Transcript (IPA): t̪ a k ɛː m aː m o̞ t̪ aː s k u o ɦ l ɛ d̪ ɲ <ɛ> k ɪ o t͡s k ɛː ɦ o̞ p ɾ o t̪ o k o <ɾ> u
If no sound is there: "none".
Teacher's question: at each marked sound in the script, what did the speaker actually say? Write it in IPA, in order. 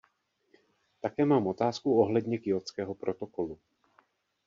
ɛ, l

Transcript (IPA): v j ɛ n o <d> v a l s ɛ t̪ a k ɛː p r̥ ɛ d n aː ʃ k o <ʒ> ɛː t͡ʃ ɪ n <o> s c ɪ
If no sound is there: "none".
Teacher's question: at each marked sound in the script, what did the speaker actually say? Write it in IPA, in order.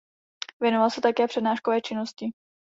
none, v, o

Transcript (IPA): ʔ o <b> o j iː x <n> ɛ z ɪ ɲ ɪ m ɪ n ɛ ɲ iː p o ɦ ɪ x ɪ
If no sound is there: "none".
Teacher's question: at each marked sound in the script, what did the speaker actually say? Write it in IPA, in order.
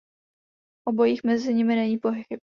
b, m

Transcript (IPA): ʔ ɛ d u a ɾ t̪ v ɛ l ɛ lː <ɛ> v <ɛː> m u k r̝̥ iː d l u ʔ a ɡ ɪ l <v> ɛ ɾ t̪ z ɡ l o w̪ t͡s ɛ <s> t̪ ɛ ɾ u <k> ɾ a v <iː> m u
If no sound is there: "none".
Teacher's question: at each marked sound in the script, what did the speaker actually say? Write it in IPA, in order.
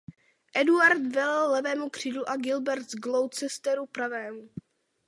ɛ, ɛː, b, s, p, ɛː

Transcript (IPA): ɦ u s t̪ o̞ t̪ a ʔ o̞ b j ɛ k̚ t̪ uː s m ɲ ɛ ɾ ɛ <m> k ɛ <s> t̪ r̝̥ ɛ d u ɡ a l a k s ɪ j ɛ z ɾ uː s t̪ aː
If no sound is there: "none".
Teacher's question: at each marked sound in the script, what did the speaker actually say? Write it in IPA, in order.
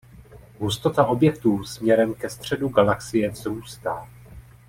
m, s

